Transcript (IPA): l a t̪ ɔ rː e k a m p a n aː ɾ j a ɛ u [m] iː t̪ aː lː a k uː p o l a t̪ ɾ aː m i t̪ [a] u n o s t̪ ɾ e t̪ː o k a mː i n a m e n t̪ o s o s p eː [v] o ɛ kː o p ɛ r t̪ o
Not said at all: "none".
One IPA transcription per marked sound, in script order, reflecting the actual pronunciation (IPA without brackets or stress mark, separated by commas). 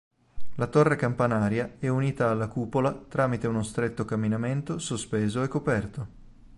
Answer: n, e, z